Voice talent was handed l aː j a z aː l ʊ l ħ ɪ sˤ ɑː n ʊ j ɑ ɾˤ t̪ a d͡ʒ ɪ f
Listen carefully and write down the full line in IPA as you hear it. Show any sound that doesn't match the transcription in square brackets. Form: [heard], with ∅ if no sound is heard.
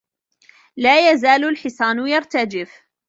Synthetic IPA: l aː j a z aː l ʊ l ħ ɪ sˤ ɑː n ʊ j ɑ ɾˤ t̪ a d͡ʒ ɪ f